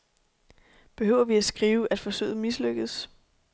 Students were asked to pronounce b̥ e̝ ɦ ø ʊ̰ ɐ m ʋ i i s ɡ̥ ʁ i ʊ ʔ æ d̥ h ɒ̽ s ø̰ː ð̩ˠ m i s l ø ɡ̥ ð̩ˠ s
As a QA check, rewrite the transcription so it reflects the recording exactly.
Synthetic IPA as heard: b̥ e̝ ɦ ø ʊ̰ ɐ ʋ i æ s ɡ̥ ʁ iː ʊ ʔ æ d̥ f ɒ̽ s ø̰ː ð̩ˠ m i s l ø ɡ̥ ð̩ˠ s